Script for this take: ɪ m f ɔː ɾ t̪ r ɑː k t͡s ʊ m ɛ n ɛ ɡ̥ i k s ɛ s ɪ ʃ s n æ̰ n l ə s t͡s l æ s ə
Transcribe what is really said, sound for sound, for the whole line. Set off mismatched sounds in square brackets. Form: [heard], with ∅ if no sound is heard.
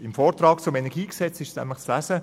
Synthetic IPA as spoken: ɪ m f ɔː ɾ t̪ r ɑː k t͡s ʊ m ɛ n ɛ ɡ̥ [iː] k s ɛ [t͡s] ɪ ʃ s n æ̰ [m] l ə [χ] t͡s l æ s ə